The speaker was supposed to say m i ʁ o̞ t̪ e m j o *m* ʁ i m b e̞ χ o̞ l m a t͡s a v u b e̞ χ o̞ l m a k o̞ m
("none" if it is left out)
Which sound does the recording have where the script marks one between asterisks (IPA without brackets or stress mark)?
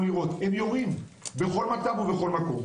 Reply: none